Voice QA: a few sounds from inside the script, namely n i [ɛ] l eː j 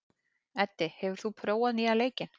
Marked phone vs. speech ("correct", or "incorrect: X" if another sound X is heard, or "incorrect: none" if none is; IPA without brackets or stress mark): incorrect: a